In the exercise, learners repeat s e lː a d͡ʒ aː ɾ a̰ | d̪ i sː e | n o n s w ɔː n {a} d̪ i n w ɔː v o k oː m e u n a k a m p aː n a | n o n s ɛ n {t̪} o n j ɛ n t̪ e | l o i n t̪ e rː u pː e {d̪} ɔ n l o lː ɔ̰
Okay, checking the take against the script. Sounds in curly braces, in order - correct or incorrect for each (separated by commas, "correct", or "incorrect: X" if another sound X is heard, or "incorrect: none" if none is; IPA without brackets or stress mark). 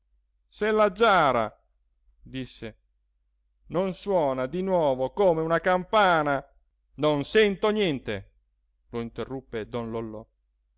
correct, correct, correct